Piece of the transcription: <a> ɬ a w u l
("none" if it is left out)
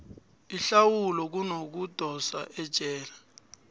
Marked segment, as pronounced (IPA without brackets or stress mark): i